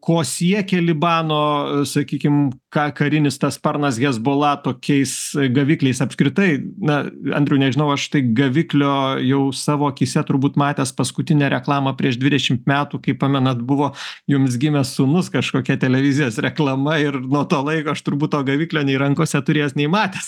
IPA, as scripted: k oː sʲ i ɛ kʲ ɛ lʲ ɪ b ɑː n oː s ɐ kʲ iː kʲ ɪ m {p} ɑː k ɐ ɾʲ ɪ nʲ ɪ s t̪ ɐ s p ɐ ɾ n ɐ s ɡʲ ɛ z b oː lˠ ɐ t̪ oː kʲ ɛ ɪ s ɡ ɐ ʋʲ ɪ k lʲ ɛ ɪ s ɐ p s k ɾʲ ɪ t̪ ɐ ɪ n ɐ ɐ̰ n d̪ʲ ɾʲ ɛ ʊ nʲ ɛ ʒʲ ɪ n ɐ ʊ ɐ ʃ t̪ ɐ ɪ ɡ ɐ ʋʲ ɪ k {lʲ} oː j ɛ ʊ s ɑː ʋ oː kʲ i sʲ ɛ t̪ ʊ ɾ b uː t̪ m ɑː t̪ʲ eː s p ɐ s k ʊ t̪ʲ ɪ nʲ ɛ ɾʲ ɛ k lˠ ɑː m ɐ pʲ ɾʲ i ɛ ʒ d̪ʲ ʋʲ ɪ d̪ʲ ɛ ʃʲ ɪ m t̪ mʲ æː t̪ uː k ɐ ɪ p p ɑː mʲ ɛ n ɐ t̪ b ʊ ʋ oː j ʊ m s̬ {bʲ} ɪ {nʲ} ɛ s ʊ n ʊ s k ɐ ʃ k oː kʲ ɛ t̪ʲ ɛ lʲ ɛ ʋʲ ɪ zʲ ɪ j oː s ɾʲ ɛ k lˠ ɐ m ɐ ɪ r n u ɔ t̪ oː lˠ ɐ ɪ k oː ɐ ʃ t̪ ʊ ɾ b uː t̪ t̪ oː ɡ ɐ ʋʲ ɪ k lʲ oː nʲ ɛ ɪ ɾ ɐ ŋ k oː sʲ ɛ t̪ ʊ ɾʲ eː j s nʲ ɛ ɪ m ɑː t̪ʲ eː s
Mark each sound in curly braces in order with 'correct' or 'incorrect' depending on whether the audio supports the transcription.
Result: incorrect, correct, incorrect, incorrect

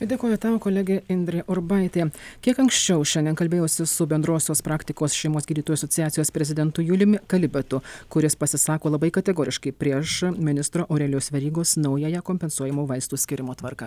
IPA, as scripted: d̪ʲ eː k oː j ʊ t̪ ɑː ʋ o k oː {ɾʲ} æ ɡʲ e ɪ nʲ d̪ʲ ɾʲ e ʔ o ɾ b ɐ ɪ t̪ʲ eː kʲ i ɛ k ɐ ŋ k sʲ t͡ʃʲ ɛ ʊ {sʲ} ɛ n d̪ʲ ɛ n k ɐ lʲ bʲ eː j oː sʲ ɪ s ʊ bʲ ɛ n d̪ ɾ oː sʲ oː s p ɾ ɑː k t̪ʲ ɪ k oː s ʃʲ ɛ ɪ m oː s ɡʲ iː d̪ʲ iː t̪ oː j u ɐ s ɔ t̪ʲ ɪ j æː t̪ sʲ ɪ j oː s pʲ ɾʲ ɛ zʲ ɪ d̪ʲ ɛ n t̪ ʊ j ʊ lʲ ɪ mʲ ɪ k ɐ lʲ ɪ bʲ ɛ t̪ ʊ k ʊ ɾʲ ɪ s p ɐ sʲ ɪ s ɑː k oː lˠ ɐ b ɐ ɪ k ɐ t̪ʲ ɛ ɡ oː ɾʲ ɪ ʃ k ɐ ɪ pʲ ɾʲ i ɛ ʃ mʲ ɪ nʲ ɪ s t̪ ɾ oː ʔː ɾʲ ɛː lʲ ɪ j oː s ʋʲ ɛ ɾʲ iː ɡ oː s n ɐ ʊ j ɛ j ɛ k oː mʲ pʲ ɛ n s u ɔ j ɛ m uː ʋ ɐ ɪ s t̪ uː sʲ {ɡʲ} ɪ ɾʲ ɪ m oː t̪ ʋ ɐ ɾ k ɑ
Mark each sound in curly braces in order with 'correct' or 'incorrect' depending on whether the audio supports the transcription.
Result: incorrect, incorrect, incorrect

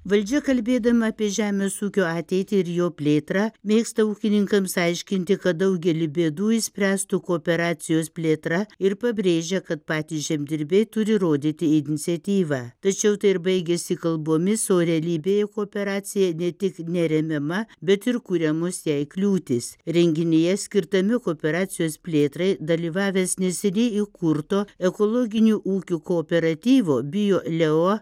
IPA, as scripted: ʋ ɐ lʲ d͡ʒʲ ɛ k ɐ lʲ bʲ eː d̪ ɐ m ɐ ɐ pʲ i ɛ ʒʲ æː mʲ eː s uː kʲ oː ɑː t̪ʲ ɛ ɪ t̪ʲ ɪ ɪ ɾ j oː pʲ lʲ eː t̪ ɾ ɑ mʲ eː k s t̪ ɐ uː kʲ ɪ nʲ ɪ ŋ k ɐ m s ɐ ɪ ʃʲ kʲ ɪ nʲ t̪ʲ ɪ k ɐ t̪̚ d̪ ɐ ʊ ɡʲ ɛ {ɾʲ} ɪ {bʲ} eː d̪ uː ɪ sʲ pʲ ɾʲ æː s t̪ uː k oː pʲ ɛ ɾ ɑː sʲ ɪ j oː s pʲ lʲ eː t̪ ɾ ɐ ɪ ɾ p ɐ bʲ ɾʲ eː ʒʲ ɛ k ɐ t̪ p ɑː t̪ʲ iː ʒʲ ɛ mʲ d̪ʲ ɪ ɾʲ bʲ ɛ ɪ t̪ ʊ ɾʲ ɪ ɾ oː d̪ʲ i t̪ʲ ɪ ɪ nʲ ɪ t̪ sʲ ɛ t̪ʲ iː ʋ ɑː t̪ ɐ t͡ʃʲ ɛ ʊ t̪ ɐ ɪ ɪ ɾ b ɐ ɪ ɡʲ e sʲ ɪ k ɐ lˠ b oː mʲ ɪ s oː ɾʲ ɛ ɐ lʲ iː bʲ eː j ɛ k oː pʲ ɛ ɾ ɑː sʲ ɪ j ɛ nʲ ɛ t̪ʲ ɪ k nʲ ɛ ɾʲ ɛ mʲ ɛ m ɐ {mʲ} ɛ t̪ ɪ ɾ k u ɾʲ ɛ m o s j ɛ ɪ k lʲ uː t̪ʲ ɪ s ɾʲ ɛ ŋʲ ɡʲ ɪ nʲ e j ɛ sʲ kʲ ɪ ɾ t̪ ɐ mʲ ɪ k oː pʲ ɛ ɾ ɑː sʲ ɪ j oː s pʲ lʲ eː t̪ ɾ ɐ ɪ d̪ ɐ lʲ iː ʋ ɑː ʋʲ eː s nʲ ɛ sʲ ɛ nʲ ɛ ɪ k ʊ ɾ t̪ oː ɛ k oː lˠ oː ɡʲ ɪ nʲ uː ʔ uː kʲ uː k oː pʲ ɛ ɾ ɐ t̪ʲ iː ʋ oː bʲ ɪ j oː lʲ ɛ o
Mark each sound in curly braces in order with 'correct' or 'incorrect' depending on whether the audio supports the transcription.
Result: incorrect, correct, incorrect

